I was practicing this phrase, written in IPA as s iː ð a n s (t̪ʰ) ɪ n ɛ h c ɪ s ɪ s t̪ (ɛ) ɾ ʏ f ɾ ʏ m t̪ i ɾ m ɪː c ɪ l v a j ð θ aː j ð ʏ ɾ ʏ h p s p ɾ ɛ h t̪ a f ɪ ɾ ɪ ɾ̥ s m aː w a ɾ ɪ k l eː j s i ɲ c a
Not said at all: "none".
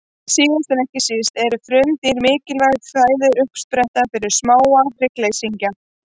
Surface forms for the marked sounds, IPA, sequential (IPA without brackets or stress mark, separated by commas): t̪, ɛ